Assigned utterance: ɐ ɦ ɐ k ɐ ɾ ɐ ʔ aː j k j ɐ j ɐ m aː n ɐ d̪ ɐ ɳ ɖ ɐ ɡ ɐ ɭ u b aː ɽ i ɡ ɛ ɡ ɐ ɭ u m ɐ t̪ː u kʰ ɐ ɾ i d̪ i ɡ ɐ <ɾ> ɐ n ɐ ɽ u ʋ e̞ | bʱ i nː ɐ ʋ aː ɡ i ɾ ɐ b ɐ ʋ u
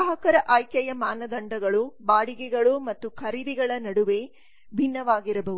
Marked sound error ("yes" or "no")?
yes